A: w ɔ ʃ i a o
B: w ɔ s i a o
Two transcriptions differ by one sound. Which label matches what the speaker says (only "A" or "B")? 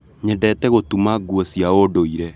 B